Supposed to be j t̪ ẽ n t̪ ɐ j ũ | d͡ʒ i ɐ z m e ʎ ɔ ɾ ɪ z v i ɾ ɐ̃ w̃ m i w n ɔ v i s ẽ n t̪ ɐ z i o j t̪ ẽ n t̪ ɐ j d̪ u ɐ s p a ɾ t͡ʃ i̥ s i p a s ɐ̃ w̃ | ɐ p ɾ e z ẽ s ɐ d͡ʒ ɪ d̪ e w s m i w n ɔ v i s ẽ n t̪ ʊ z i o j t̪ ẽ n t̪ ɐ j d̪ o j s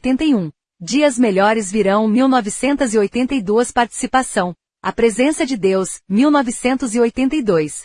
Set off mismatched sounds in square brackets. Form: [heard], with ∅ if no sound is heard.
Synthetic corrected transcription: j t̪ ẽ n t̪ ɐ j ũ | d͡ʒ i ɐ z m e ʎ ɔ ɾ ɪ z v i ɾ ɐ̃ w̃ m i w n ɔ v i s ẽ n t̪ ɐ z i o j t̪ ẽ n t̪ ɐ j d̪ u ɐ s p a ɾ t͡ʃ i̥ s i p a s ɐ̃ w̃ | ɐ p ɾ e z ẽ s ɐ d͡ʒ ɪ d̪ e w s m i w n ɔ v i s ẽ n t̪ ʊ z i o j t̪ ẽ n t̪ ɐ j d̪ o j s